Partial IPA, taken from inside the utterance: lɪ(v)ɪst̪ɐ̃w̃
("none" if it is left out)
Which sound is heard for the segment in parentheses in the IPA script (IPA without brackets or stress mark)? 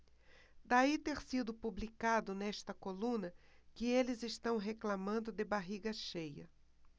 z